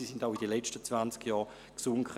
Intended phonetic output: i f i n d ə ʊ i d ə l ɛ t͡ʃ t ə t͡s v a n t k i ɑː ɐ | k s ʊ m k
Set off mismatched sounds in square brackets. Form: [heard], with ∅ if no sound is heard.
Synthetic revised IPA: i [s] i n d [a] ʊ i d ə l ɛ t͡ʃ t ə t͡s v a n [t͡s] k [j] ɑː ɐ | k s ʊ [ŋ] k